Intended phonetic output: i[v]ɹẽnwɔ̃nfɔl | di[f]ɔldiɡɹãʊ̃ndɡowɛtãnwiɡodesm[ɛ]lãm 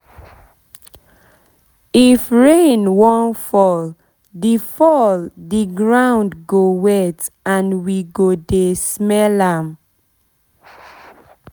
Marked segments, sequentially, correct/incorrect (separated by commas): incorrect, correct, correct